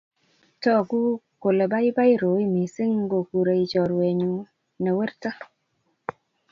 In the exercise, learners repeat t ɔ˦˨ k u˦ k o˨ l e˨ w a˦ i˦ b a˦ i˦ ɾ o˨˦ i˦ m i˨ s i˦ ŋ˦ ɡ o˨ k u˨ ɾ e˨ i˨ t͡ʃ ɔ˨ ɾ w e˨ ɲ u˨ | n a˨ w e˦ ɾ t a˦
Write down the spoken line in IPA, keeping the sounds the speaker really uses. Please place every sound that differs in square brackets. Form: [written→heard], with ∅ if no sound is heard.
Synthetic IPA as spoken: t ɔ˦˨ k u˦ k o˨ l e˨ [w→b] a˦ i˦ b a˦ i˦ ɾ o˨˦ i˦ m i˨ s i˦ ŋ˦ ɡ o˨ k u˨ ɾ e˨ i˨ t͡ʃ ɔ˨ ɾ w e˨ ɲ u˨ | n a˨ w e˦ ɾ t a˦